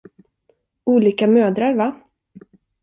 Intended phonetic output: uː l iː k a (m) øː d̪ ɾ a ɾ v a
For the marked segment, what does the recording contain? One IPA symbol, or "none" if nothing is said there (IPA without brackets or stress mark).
m